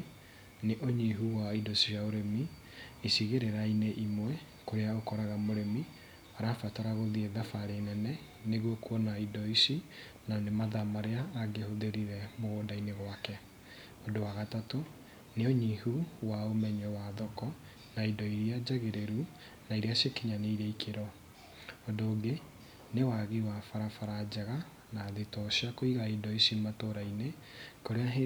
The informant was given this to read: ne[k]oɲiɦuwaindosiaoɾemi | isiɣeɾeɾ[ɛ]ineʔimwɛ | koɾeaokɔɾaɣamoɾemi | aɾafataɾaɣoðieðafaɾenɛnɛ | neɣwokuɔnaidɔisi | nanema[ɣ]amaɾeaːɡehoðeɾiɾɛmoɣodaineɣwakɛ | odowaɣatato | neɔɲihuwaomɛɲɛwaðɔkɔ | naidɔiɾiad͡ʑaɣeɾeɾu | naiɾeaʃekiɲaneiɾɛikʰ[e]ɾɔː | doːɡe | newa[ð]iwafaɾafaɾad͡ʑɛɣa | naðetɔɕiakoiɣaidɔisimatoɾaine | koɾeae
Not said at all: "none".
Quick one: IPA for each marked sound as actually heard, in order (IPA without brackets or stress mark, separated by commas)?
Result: ʔ, a, ð, e, ɣ